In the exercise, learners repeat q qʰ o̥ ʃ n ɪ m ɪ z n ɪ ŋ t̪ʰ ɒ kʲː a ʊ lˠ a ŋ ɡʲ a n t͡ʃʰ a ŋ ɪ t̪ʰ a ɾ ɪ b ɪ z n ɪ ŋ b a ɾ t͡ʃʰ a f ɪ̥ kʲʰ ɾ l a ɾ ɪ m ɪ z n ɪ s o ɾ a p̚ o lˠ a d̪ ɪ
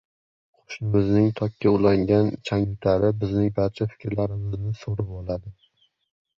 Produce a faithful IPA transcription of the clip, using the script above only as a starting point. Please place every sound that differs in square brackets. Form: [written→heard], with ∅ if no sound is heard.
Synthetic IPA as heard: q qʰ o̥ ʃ n ɪ m ɪ z n ɪ ŋ t̪ʰ ɒ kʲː a ʊ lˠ a ŋ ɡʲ a n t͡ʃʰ a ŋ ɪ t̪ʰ a ɾ ɪ b ɪ z n ɪ ŋ b a ɾ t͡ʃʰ a f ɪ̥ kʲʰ ɾ l a ɾ ɪ m ɪ z n ɪ s o ɾ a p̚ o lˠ a d̪ ɪ